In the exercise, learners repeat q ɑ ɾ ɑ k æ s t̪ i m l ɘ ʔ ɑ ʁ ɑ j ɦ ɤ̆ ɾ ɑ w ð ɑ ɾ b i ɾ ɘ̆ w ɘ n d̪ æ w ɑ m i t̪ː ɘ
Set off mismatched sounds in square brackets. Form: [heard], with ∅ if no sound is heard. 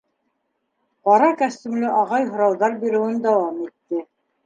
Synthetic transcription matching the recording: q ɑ ɾ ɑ k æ s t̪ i m l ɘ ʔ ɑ ʁ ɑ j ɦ [ŏ] ɾ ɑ w ð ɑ ɾ b i ɾ ɘ̆ w ɘ n d̪ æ w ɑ m i t̪ː ɘ